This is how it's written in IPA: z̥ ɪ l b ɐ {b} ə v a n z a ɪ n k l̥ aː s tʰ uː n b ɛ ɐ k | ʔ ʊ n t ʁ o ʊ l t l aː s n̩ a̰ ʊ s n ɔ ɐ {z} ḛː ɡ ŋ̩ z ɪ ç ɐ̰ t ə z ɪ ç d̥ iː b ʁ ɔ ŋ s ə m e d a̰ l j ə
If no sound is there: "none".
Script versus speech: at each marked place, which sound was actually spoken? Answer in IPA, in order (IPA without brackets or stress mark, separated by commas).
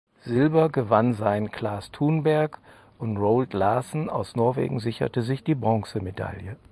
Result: ɡ, v